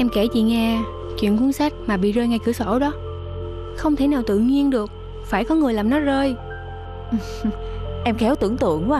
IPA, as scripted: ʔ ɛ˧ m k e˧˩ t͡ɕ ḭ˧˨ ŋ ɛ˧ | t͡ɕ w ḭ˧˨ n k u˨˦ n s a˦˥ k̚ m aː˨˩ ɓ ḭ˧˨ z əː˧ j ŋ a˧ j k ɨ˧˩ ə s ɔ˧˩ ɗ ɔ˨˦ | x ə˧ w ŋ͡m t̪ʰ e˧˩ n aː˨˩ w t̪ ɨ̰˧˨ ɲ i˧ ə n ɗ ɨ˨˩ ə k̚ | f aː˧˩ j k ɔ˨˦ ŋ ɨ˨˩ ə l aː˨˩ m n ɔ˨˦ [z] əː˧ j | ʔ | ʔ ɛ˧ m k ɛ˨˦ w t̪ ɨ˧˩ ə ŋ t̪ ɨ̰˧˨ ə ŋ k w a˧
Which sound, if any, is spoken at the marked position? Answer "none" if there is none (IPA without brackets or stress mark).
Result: z